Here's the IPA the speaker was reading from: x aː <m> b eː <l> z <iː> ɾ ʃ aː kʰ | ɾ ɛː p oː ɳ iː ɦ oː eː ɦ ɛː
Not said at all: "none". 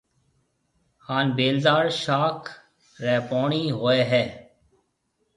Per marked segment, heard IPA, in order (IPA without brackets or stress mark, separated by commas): n, l, aː